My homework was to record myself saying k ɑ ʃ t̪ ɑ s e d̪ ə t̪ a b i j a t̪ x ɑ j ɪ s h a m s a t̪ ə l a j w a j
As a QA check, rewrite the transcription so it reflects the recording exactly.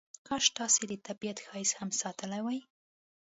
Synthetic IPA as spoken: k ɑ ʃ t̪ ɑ s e d̪ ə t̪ a b i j a t̪ x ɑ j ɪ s h a m s ɑ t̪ ə l a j w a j

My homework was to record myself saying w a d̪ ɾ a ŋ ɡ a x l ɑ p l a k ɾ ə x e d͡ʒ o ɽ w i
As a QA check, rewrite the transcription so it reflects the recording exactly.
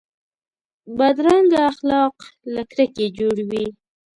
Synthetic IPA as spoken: b a d̪ ɾ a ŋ ɡ a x l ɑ q l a k ɾ ə k e d͡ʒ o ɽ w i

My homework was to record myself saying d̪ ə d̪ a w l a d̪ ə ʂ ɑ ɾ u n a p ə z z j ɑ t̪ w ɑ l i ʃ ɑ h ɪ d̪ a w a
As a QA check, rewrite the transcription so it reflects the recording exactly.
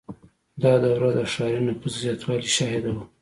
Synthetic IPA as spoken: d̪ ɑ d̪ a w ɾ a d̪ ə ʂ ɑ ɾ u n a p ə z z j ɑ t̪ w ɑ l i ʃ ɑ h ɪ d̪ a w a

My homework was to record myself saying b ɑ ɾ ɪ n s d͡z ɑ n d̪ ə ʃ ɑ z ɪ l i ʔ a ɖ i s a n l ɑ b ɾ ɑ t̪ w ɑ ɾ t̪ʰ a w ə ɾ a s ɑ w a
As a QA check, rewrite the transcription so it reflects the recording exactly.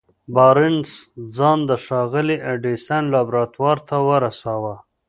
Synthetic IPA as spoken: b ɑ ɾ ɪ n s d͡z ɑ n d̪ ə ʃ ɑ ɣ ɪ l i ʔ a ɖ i s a n l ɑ b ɾ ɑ t̪ w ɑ ɾ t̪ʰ a w ə ɾ a s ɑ w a

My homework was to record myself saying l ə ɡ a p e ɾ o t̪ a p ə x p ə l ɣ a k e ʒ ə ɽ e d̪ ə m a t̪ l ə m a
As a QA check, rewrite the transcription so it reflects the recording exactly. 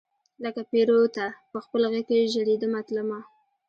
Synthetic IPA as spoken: l ə k a p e ɾ o t̪ a p ə x p ə l ɣ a k e ʒ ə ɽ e d̪ ə m a t̪ l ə m a

